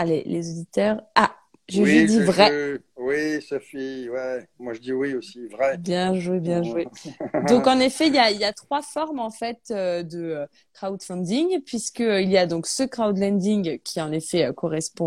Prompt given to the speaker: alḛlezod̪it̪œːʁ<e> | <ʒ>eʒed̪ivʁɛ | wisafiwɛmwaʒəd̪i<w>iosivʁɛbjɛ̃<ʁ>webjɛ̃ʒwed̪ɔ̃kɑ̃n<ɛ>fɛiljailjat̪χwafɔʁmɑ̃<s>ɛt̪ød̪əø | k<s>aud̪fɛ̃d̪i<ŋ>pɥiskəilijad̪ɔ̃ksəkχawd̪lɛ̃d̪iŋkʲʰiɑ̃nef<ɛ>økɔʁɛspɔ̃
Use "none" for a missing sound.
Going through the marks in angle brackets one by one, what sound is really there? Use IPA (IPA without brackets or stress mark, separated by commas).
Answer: a, ʒ, w, ʒ, e, f, χ, ŋ, ɛ